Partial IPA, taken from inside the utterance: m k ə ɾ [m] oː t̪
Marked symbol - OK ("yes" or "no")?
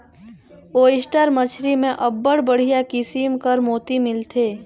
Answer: yes